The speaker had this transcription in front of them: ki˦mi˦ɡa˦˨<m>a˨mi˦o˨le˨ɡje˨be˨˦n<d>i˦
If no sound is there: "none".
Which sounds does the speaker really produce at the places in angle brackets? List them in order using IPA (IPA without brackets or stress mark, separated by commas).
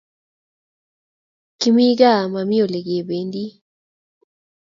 m, d